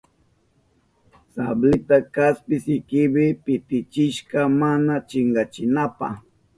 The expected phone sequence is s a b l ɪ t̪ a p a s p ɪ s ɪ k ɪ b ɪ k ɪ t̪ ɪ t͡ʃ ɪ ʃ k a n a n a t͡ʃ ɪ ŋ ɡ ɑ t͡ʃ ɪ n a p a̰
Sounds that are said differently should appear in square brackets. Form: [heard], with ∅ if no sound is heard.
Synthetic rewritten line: s a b l ɪ t̪ a [k] a s p ɪ s ɪ k ɪ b ɪ [p] ɪ t̪ ɪ t͡ʃ ɪ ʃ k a [m] a n a t͡ʃ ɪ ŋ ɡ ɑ t͡ʃ ɪ n a p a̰